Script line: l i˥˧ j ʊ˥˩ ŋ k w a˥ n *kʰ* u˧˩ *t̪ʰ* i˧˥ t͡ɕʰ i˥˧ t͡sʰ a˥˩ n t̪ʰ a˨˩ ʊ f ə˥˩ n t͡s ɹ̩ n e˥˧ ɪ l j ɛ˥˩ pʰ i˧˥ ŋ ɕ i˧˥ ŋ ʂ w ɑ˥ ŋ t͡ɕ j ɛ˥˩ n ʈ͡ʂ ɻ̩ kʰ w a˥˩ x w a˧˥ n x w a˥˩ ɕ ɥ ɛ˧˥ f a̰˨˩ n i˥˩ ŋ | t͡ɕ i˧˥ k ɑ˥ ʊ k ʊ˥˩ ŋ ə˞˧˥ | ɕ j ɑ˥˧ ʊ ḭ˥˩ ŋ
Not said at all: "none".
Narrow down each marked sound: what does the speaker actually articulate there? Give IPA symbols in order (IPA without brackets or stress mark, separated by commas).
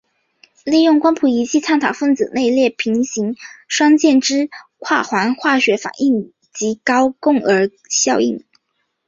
pʰ, none